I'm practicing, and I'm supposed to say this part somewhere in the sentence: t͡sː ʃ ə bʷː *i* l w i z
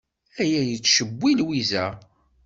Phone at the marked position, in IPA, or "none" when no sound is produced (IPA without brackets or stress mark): i